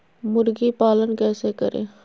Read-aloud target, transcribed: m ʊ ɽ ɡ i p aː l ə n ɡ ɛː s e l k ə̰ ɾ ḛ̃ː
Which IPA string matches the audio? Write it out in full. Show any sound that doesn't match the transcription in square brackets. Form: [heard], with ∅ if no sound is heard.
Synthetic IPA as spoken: m ʊ [ɾ] ɡ i p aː l ə n [k] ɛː s e [∅] k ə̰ ɾ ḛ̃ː

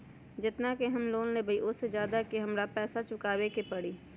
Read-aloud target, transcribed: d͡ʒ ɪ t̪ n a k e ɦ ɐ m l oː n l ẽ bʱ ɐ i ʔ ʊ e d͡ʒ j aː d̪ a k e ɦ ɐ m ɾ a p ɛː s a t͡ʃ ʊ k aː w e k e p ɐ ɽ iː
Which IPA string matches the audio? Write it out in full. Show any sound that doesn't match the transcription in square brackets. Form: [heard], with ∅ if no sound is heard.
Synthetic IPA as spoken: d͡ʒ ɪ t̪ n a k e ɦ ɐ m l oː n l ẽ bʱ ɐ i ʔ ʊ e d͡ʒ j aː d̪ a k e ɦ ɐ m ɾ a p ɛː s a t͡ʃ ʊ k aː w e k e p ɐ ɽ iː

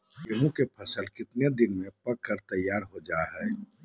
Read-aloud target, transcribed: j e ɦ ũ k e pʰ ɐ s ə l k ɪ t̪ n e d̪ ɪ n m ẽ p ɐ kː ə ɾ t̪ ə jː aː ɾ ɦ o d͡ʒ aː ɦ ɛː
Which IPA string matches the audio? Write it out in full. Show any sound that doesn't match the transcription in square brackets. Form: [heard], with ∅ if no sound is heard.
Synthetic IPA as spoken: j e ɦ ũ k e pʰ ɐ s ə l k ɪ t̪ n e d̪ ɪ n m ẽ p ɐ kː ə ɾ t̪ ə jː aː ɾ ɦ o d͡ʒ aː ɦ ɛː

